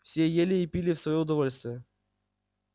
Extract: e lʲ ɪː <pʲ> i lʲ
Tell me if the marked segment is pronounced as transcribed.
yes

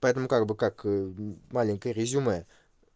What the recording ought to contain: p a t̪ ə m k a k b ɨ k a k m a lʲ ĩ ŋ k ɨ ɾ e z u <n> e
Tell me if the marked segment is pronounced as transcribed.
no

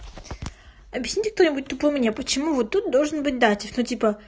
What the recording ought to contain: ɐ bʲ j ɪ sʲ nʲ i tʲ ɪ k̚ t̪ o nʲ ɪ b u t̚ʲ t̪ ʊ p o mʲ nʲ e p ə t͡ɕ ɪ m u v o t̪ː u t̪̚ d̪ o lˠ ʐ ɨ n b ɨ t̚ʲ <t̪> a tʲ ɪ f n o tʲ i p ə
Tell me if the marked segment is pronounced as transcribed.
no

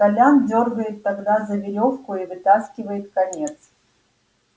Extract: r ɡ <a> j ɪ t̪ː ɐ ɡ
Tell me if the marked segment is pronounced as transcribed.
no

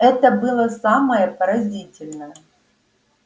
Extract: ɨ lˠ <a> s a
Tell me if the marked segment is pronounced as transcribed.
no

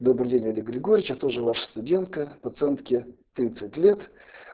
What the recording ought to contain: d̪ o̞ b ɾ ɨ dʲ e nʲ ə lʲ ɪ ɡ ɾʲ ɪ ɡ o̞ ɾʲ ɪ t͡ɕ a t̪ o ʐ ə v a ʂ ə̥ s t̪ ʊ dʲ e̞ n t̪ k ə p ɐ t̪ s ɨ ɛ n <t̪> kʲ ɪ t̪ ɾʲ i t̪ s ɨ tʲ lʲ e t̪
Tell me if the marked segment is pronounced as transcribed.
yes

